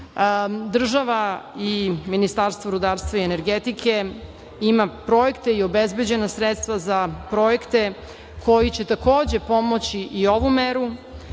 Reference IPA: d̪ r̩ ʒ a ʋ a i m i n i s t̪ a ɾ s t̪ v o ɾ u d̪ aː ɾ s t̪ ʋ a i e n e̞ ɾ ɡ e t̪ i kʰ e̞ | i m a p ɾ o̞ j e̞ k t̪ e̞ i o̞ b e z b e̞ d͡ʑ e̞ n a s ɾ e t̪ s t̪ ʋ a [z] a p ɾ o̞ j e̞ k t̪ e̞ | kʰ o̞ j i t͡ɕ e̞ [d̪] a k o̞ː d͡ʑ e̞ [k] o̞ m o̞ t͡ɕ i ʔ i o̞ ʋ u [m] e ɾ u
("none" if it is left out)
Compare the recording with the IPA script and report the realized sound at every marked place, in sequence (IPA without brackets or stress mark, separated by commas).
z, t̪, p, m